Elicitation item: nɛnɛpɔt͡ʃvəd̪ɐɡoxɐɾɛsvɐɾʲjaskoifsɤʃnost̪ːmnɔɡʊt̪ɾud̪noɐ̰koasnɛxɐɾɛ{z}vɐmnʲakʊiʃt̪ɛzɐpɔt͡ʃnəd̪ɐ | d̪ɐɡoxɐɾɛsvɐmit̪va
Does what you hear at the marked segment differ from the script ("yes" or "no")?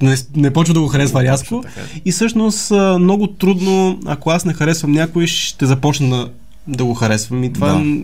yes